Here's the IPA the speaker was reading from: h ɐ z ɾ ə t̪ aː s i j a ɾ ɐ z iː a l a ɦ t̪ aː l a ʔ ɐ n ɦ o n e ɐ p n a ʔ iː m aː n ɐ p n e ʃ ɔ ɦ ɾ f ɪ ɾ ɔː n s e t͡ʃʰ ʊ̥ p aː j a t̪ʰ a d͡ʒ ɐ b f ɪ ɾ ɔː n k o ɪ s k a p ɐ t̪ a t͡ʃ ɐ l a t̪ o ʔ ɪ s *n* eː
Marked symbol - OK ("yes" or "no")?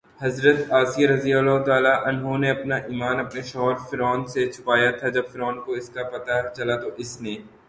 yes